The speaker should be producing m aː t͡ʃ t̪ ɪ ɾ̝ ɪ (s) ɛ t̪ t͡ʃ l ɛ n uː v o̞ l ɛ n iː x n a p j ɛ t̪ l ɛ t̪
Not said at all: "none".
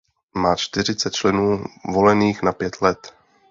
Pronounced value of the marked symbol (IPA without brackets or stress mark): t͡s